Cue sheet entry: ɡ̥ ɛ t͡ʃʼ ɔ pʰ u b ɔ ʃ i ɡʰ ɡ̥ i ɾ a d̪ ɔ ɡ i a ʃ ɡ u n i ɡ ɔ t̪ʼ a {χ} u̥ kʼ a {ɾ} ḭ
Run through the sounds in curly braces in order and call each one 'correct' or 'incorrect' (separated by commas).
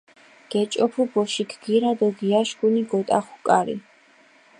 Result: correct, correct